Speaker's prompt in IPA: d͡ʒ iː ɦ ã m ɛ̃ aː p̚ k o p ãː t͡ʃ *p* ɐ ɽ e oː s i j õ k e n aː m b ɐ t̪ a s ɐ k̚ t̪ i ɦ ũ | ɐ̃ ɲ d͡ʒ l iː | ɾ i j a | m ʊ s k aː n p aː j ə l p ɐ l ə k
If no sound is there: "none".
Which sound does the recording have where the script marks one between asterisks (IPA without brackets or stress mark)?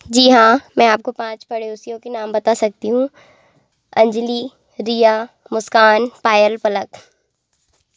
p